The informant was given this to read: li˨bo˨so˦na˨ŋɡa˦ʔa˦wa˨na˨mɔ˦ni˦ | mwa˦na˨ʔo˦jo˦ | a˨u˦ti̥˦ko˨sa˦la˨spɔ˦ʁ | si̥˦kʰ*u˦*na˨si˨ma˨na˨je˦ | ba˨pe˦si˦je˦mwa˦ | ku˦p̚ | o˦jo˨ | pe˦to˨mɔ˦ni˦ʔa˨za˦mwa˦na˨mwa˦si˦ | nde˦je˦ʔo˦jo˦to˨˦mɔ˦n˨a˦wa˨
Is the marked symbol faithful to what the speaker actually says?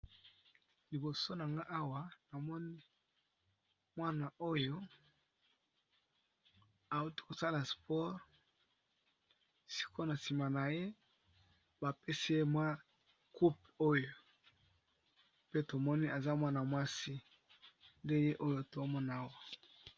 no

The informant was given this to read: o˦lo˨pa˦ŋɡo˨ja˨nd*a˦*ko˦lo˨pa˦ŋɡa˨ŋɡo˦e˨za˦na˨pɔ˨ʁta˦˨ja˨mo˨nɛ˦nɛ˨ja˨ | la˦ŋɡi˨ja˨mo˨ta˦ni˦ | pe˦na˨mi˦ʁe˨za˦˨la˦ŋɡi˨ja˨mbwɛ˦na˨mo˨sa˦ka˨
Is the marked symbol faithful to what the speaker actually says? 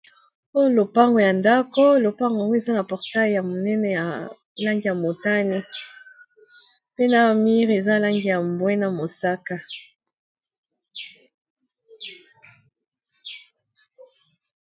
yes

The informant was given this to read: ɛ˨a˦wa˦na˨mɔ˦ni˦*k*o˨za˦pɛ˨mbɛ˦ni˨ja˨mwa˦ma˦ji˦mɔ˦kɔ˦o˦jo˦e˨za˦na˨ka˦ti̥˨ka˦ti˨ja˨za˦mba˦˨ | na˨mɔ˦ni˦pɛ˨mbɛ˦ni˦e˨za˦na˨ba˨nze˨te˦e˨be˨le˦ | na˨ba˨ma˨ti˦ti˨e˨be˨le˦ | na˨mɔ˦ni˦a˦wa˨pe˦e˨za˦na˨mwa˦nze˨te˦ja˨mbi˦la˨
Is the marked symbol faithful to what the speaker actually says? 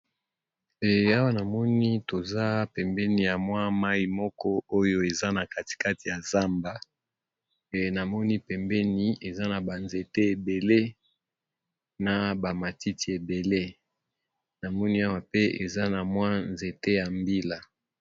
no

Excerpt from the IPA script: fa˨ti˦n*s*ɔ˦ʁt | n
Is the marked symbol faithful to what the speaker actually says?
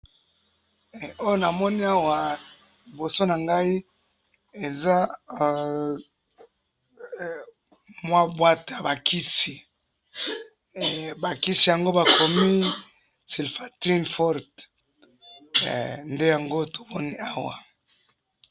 no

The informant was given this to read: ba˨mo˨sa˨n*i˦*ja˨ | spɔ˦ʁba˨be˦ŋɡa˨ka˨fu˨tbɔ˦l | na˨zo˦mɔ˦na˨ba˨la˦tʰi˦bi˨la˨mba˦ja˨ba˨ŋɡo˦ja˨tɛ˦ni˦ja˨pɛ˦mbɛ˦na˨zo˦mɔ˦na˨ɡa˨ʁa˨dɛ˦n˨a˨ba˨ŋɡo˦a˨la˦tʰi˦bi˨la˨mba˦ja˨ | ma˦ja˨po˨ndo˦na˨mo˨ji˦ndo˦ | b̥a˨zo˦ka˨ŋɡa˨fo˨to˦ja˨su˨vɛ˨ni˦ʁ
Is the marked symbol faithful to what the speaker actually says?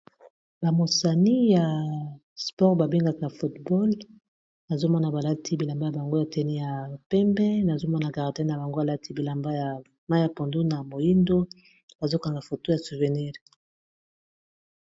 yes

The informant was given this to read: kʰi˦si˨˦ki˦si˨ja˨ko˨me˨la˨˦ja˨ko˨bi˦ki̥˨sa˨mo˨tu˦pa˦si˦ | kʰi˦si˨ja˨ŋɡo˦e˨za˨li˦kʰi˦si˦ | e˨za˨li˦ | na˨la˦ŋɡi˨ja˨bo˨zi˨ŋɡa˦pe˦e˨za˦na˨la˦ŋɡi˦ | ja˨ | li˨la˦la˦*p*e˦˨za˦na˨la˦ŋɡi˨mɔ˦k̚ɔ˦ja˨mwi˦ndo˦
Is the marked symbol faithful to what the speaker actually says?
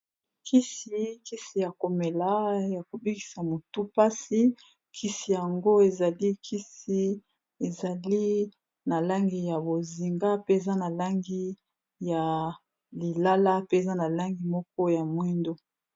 yes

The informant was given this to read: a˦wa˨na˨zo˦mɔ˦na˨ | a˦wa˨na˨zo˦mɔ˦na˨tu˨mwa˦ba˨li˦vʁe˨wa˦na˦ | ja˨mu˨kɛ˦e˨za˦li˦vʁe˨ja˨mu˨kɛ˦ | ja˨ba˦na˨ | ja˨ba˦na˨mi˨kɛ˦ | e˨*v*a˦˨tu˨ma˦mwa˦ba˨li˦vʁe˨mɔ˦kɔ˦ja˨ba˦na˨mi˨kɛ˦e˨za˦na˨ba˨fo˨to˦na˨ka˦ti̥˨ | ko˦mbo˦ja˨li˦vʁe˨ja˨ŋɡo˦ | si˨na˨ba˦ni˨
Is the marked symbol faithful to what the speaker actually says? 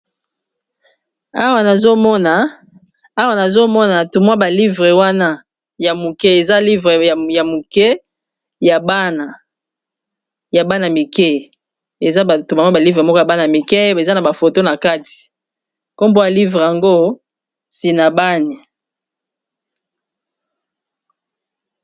no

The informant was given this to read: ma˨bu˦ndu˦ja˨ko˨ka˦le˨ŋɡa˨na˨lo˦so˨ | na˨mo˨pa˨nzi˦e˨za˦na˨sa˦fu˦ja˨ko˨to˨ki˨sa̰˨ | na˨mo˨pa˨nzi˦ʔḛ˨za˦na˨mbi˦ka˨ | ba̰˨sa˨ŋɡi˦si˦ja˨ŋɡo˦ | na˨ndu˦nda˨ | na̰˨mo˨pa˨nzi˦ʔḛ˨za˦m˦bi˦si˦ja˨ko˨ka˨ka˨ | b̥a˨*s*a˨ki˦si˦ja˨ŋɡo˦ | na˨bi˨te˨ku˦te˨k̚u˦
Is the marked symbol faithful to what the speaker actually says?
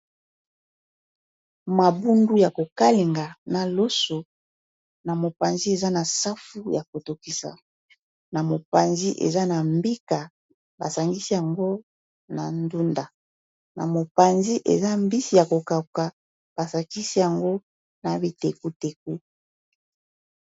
yes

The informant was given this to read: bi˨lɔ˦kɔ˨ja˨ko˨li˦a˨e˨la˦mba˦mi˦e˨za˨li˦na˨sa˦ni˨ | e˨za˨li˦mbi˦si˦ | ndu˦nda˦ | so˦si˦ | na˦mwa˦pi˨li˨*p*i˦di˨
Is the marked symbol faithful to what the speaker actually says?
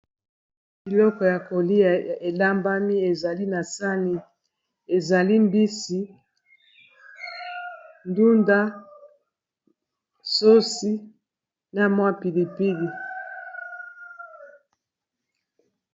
yes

